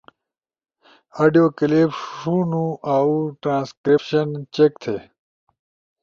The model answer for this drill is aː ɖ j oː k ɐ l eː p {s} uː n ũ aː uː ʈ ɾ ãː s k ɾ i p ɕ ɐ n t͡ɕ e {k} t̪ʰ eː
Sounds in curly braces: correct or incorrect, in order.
incorrect, correct

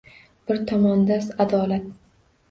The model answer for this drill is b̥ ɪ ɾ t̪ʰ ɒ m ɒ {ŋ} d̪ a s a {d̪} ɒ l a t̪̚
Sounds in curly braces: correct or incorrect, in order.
incorrect, correct

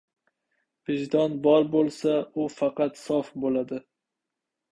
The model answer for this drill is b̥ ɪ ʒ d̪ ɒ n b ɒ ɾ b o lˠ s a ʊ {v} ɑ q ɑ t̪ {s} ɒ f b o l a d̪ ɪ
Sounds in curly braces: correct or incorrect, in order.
incorrect, correct

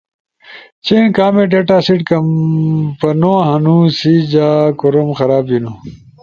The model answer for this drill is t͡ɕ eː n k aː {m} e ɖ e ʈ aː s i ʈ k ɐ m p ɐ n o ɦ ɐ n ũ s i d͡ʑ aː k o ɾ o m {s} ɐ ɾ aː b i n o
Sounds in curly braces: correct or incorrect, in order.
correct, incorrect

